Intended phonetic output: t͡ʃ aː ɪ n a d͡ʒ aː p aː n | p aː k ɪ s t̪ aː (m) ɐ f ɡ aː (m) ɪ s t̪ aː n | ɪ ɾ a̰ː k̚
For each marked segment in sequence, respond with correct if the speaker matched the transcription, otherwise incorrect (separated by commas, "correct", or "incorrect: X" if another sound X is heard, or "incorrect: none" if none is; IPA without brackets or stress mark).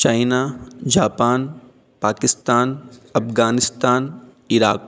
incorrect: n, incorrect: n